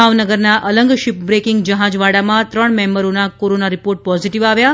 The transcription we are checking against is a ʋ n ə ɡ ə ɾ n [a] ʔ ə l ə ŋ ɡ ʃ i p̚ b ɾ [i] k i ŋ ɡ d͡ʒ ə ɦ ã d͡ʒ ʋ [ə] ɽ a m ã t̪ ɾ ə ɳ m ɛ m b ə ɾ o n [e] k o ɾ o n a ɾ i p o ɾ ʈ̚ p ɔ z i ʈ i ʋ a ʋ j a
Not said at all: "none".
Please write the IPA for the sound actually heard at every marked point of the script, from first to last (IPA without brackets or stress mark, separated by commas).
a, e, a, a